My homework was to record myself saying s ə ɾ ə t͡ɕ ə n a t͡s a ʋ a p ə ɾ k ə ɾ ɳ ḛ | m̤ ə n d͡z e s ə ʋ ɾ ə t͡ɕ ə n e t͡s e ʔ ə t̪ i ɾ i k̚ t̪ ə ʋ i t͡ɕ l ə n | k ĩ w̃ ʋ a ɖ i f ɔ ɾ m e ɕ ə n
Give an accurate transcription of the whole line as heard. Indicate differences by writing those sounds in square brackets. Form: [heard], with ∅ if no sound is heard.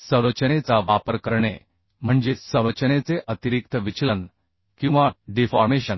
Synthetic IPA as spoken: s ə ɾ ə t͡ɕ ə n [e] t͡s a ʋ a p ə ɾ k ə ɾ ɳ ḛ | m̤ ə [ɳ] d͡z e s ə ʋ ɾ ə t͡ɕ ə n e t͡s e ʔ ə t̪ i ɾ i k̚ t̪ ə ʋ i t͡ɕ l ə n | k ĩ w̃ ʋ a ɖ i f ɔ ɾ m e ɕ ə n